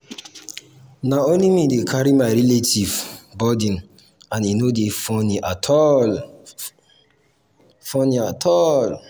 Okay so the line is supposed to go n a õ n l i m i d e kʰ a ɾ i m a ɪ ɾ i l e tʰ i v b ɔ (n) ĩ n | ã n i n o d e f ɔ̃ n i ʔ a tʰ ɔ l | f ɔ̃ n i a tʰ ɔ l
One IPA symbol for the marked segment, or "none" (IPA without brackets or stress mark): d